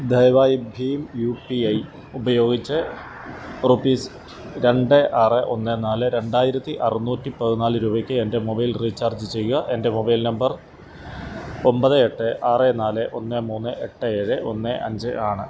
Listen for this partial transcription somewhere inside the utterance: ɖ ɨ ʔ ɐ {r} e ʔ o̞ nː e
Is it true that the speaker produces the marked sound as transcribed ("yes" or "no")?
yes